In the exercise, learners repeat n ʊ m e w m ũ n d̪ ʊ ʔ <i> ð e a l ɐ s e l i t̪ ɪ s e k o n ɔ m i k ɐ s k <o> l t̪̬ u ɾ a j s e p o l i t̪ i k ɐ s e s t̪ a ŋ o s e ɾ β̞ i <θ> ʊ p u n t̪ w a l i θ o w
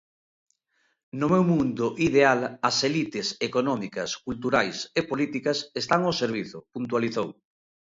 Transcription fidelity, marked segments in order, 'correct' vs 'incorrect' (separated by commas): correct, incorrect, correct